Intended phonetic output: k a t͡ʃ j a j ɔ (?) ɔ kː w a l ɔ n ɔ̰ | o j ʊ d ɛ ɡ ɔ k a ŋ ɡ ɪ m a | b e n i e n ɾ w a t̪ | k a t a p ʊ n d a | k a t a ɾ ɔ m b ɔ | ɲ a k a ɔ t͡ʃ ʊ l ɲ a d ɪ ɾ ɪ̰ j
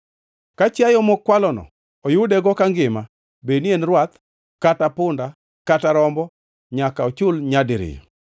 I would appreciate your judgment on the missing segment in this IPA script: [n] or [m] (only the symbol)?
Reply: m